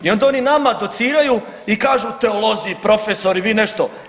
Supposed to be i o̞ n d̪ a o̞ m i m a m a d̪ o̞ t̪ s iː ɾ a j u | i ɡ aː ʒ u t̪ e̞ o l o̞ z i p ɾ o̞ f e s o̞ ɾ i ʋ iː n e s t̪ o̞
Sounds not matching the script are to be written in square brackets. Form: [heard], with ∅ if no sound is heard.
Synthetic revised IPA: i o̞ n d̪ a o̞ [n] i [n] a m a d̪ o̞ t̪ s iː ɾ a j u | i [k] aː ʒ u t̪ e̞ o l o̞ z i p ɾ o̞ f e s o̞ ɾ i ʋ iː n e [ʃ] t̪ o̞

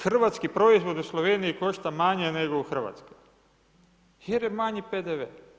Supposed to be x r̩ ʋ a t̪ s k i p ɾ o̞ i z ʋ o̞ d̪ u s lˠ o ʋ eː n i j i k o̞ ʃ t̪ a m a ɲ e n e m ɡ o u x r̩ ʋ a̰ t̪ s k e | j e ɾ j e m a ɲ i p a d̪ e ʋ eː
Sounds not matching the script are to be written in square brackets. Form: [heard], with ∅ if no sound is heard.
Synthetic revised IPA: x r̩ ʋ a t̪ s k i p ɾ o̞ i z ʋ o̞ d̪ u s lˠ o ʋ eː n i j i k o̞ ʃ t̪ a m a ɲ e n e [∅] ɡ o u x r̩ ʋ a̰ t̪ s k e | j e ɾ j e m a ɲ i p [e] d̪ e ʋ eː

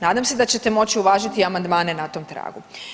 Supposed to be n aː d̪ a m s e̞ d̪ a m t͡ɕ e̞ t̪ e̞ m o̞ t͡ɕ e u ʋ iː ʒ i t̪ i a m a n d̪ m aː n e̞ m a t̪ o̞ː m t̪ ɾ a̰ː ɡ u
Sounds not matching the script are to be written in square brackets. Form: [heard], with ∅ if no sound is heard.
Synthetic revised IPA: n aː d̪ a m s e̞ d̪ a [∅] t͡ɕ e̞ t̪ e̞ m o̞ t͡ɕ [i] u ʋ [aː] ʒ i t̪ i a m a n d̪ m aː n e̞ [n] a t̪ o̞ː m t̪ ɾ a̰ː ɡ u

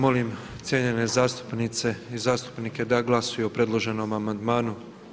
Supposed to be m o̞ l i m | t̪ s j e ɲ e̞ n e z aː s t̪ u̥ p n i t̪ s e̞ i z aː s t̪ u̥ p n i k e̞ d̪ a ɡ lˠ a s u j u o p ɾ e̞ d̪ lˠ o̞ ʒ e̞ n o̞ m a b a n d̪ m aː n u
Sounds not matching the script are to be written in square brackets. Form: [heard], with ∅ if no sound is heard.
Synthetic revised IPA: m o̞ l i m | t̪ s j e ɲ e̞ n e z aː s t̪ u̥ p n i t̪ s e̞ i z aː s t̪ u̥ p n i k e̞ d̪ a ɡ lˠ a s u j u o p ɾ e̞ d̪ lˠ o̞ ʒ e̞ n o̞ m a [m] a n d̪ m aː n u

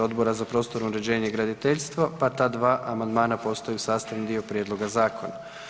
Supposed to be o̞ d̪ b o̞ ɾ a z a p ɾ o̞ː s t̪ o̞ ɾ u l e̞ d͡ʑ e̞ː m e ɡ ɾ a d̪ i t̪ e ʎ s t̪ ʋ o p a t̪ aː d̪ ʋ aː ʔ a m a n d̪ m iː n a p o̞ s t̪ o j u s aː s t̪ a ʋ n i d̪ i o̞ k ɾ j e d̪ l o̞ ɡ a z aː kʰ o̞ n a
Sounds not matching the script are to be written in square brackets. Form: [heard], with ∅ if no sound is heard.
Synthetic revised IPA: o̞ d̪ b o̞ ɾ a z a p ɾ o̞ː s t̪ o̞ ɾ u [ɾ] e̞ d͡ʑ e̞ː [ɲ] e ɡ ɾ a d̪ i t̪ e ʎ s t̪ ʋ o p a t̪ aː d̪ ʋ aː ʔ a m a n d̪ m [aː] n a p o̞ s t̪ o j u s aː s t̪ a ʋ n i d̪ i o̞ [p] ɾ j e d̪ l o̞ ɡ a z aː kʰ o̞ n a

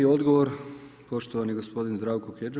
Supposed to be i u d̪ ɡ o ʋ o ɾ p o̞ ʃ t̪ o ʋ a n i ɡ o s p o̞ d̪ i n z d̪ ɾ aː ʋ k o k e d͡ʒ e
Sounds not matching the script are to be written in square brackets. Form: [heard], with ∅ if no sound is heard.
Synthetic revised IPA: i [o] d̪ ɡ o ʋ o ɾ p o̞ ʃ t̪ o ʋ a n i ɡ o s p o̞ d̪ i n z d̪ ɾ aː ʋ k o k e d͡ʒ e

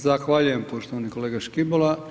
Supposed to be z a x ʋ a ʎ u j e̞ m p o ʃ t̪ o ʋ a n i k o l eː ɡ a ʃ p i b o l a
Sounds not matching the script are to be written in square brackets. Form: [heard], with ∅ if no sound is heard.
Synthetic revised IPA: z a x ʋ a ʎ u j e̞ m p o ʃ t̪ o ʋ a n i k o l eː ɡ a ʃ [k] i b o l a

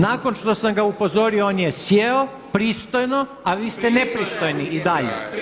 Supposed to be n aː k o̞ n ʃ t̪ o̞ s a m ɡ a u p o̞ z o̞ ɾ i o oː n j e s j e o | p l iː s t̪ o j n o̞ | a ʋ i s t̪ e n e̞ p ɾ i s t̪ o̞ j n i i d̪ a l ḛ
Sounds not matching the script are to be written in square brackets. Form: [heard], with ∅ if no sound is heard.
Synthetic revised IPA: n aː k o̞ n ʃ t̪ o̞ s a m ɡ a u p o̞ z o̞ ɾ i o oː n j e s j e o | p [ɾ] iː s t̪ o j n o̞ | a ʋ [iː] s t̪ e n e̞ p ɾ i s t̪ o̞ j n i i d̪ a [ʎ] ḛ

